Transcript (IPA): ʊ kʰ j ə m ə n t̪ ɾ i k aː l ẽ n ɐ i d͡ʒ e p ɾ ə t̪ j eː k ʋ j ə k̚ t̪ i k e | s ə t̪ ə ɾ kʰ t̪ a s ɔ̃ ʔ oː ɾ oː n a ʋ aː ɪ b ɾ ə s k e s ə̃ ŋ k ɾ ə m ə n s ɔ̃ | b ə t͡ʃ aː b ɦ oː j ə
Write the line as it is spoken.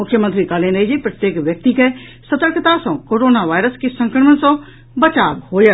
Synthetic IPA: ʊ kʰ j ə m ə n t̪ ɾ i k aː l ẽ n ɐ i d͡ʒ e p ɾ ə t̪ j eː k ʋ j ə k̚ t̪ i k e | s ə t̪ ə ɾ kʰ t̪ a s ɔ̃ k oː ɾ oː n a ʋ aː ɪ ɾ ə s k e s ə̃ ŋ k ɾ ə m ə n s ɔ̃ | b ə t͡ʃ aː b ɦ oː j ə

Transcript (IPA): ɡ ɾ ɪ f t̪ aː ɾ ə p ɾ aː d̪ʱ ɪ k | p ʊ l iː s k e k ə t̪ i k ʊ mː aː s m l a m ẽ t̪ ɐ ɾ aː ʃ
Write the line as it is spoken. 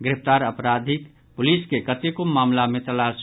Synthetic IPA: ɡ ɾ ɪ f t̪ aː ɾ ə p ɾ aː d̪ʱ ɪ k | p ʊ l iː s k e k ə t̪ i k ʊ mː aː m l a m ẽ t̪ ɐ l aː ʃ

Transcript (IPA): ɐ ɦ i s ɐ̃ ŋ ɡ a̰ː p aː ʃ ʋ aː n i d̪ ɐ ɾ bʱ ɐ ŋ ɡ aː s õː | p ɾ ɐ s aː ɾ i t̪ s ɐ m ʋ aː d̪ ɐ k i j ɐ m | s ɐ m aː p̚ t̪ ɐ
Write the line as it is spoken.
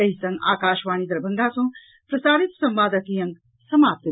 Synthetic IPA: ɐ ɦ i s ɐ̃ ŋ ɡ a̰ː k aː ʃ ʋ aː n i d̪ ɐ ɾ bʱ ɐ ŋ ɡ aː s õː | p ɾ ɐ s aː ɾ i t̪ s ɐ m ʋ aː d̪ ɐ k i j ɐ ŋ | s ɐ m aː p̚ t̪ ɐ

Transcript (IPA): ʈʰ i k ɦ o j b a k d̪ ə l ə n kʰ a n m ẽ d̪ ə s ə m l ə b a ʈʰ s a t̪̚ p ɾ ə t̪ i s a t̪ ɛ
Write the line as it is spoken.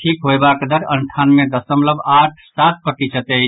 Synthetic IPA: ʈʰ i k ɦ o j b a k d̪ ə ɾ ə n ʈʰ a n m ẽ d̪ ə s ə m l ə b a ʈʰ s a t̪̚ p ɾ ə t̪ i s ə t̪ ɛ

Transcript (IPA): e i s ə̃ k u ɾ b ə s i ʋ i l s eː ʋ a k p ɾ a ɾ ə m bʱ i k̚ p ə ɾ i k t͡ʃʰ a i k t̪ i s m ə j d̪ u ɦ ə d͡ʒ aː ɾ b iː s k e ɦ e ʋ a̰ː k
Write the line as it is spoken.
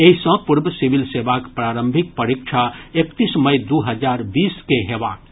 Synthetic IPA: e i s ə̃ p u ɾ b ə s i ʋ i l s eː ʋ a k p ɾ a ɾ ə m bʱ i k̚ p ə ɾ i k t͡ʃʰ a e k t̪ i s m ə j d̪ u ɦ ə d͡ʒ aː ɾ b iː s k e ɦ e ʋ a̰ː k

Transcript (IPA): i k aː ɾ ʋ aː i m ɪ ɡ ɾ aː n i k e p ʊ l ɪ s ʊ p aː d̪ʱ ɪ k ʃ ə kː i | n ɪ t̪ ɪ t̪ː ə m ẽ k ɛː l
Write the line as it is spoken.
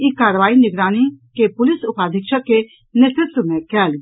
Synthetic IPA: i k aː ɾ ʋ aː i n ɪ ɡ ɾ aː n i k e p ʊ l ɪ s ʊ p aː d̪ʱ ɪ k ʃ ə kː e | n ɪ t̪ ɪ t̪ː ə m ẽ k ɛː l

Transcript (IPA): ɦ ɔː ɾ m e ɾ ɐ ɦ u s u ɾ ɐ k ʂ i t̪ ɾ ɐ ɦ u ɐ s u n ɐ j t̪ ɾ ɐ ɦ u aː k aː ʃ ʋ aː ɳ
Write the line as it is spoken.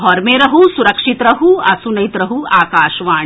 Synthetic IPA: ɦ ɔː ɾ m e ɾ ɐ ɦ u s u ɾ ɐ k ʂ i t̪ ɾ ɐ ɦ u ɐ s u n ɐ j t̪ ɾ ɐ ɦ u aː k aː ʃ ʋ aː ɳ

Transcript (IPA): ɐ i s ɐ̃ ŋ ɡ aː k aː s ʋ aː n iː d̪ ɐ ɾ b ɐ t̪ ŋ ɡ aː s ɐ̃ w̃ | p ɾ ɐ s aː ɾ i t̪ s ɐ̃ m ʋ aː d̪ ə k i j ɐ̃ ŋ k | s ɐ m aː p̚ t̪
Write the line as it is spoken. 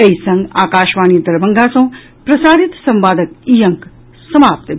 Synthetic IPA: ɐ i s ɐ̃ ŋ ɡ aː k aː ʃ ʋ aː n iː d̪ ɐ ɾ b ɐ ŋ ɡ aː s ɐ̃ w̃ | p ɾ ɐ s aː ɾ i t̪ s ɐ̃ m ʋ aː d̪ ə k i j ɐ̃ ŋ k | s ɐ m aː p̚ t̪

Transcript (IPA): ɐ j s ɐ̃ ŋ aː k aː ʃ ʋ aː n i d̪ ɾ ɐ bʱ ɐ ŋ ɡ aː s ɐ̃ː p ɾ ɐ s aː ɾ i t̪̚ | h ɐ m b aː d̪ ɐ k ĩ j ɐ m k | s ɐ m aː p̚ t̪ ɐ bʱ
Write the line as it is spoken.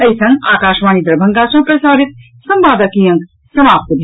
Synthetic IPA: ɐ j s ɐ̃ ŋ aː k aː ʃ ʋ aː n i d̪ ɾ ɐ bʱ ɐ ŋ ɡ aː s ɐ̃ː p ɾ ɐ s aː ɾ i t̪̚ | s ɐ m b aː d̪ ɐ k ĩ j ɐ ŋ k | s ɐ m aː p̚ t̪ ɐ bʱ

